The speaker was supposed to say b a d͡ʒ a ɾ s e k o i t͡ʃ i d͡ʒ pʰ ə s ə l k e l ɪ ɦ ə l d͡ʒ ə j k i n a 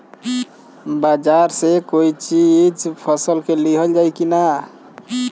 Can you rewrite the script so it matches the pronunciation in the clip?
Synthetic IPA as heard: b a d͡ʒ a ɾ s e k o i t͡ʃ i d͡ʒ pʰ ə s ə l k e l i ɦ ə l d͡ʒ a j k i n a